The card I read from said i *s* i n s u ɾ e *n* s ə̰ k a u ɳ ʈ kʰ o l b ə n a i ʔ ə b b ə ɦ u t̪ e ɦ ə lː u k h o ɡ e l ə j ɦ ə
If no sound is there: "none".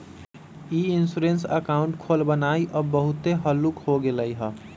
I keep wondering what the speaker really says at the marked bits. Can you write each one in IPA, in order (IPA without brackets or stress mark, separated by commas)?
none, n